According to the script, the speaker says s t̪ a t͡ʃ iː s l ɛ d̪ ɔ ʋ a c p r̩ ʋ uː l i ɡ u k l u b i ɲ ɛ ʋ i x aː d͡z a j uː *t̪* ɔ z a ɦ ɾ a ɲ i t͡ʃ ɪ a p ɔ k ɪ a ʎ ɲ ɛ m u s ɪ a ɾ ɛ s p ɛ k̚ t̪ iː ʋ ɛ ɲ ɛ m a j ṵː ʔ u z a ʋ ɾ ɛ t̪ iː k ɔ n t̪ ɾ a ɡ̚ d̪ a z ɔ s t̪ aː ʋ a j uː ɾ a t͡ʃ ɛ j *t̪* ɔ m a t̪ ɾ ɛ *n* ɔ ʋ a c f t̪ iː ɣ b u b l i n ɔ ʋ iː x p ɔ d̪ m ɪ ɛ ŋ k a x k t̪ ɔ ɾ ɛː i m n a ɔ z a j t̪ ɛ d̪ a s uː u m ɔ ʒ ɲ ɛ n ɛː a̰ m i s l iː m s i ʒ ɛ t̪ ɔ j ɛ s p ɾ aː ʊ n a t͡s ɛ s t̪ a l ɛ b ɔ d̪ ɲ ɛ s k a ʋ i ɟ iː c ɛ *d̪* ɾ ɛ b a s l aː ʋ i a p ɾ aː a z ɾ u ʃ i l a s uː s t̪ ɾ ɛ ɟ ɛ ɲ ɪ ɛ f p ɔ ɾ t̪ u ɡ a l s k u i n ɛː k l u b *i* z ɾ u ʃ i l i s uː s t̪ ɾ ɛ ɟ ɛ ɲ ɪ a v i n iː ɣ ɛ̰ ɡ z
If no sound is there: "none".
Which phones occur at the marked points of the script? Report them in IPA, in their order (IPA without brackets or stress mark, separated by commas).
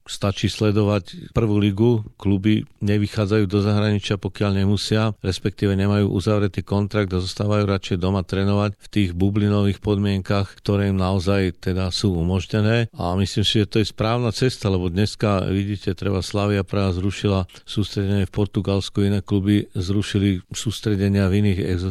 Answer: d̪, d̪, n, t̪, i